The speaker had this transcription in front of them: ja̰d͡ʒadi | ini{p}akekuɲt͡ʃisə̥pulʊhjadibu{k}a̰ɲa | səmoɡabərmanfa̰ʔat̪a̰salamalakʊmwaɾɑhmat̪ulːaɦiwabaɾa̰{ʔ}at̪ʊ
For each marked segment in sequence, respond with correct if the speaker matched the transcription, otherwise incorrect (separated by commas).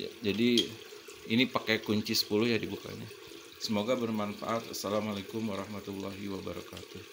correct, correct, incorrect